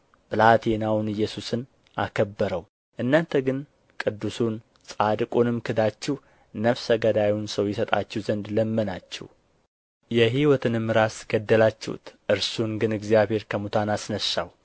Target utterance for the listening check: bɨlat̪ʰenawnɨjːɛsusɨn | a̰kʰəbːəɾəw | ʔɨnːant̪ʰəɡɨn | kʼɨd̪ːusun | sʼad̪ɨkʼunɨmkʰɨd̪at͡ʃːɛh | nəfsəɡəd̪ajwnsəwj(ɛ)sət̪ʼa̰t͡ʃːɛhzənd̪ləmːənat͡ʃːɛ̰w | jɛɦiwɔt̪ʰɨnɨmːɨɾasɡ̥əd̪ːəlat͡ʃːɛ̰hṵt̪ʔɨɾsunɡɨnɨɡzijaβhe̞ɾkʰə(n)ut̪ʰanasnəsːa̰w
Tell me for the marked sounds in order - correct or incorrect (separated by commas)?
correct, incorrect